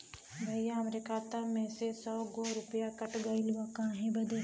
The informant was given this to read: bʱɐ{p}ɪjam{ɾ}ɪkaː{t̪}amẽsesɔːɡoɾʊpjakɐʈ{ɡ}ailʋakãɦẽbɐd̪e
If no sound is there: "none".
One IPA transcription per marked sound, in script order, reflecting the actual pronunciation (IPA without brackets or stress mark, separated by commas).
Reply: none, ɾ, t̪, ɡ